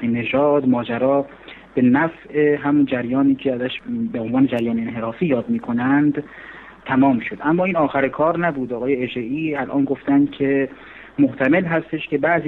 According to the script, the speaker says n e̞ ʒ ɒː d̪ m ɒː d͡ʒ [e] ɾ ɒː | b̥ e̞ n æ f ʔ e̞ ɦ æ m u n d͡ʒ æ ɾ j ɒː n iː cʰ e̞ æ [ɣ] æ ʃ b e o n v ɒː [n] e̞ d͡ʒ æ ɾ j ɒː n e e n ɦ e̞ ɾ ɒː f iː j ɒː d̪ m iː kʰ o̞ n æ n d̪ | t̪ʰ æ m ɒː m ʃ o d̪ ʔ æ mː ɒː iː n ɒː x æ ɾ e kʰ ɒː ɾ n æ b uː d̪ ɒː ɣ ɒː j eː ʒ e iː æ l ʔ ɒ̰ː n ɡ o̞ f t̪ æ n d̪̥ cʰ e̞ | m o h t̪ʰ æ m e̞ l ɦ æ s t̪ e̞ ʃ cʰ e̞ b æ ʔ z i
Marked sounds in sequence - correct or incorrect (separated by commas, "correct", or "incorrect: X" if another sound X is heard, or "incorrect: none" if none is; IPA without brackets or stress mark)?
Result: incorrect: æ, incorrect: z, correct